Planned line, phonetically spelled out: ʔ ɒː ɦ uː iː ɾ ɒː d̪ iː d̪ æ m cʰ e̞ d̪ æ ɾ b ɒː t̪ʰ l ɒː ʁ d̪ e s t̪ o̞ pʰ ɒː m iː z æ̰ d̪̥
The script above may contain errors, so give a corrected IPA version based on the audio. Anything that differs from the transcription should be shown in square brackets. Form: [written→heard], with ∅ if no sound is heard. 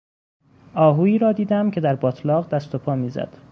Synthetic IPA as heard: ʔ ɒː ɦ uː iː ɾ ɒː d̪ iː d̪ æ m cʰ e̞ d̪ æ ɾ b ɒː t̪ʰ l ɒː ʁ d̪ [e→æ] s t̪ o̞ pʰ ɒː m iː z æ̰ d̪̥